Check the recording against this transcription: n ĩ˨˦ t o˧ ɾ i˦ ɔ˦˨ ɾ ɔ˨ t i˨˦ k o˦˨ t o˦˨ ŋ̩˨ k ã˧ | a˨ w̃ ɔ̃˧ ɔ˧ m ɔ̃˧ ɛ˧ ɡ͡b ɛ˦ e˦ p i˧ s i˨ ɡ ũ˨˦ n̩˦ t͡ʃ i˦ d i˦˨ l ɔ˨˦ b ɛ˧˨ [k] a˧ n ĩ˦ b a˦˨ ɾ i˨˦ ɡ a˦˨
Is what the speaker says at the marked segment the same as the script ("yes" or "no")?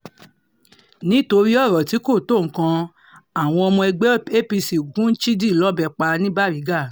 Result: no